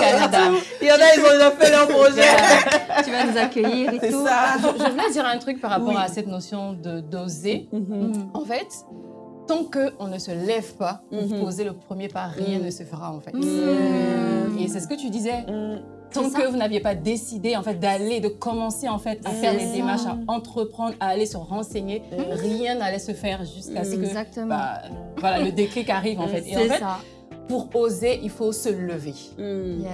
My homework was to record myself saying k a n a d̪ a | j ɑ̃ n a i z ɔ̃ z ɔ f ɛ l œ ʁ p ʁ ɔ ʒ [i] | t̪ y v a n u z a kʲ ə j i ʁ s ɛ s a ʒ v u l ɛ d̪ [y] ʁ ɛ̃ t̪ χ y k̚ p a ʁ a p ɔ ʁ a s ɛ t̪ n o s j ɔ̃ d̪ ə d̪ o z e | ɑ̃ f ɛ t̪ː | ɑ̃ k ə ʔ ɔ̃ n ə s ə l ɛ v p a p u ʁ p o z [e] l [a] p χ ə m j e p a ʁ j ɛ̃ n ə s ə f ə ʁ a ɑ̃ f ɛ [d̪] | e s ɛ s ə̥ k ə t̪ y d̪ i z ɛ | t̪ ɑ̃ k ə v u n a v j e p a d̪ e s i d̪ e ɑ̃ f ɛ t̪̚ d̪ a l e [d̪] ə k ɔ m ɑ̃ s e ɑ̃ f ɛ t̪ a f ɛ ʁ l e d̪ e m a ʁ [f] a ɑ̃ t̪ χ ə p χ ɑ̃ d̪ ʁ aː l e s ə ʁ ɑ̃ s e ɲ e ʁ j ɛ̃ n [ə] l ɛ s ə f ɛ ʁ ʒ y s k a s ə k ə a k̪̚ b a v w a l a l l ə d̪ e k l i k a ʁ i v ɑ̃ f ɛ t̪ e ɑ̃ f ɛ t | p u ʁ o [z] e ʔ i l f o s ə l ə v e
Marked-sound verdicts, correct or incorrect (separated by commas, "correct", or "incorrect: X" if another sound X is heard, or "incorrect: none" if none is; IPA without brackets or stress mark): incorrect: ɛ, incorrect: i, correct, incorrect: ə, incorrect: t̪, correct, incorrect: ʃ, incorrect: a, correct